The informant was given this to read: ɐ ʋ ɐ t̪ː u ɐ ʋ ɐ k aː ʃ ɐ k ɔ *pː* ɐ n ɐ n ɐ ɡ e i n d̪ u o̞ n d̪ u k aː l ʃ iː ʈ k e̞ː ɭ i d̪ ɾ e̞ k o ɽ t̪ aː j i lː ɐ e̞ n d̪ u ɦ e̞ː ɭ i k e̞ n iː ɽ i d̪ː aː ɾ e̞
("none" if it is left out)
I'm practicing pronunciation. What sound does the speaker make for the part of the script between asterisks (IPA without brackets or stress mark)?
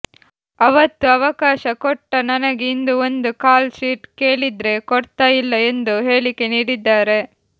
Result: ʈː